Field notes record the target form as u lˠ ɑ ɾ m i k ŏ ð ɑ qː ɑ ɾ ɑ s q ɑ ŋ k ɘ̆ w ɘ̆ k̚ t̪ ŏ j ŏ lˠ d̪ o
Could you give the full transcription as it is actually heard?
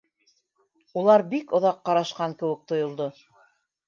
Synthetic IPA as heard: u lˠ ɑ ɾ b i k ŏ ð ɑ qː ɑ ɾ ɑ ʃ q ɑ ŋ k ɘ̆ w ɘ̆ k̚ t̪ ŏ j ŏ lˠ d̪ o